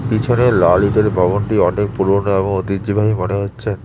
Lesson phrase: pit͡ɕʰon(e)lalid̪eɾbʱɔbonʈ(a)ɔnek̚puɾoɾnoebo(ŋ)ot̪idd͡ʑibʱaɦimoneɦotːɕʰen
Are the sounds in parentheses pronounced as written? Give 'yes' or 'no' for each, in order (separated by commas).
yes, no, yes